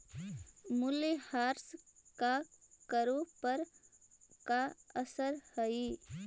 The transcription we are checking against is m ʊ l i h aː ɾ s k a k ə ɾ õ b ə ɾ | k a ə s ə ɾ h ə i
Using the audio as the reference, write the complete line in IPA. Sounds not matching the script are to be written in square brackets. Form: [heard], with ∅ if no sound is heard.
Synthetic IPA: m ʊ l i h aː ɾ s k a k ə ɾ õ [p] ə ɾ | k a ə s ə ɾ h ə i